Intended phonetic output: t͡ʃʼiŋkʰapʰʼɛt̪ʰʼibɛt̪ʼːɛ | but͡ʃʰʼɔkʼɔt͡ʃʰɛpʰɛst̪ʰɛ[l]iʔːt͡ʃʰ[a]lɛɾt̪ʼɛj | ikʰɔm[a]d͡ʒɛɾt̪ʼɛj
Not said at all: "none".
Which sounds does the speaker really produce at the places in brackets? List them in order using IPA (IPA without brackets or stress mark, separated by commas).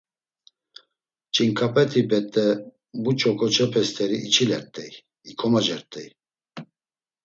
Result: ɾ, i, a